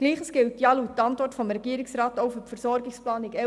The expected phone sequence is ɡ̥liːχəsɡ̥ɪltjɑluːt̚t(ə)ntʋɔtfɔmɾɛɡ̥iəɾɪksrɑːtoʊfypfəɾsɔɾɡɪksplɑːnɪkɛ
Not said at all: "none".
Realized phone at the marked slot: ɑ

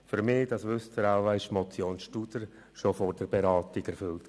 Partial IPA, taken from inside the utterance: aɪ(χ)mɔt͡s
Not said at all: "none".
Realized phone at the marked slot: ʃ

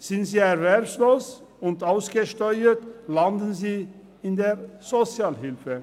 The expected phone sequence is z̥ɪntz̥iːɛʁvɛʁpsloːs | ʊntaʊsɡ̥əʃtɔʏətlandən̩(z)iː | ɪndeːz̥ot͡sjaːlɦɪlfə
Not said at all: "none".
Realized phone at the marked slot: z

